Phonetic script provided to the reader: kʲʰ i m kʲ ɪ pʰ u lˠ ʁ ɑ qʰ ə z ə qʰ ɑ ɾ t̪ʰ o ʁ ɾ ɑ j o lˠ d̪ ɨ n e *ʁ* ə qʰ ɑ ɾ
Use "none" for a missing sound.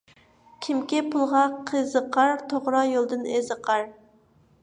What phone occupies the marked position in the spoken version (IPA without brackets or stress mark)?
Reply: z